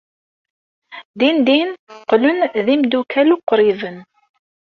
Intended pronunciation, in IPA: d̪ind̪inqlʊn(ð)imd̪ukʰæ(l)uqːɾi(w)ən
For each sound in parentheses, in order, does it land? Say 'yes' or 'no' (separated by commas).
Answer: yes, yes, no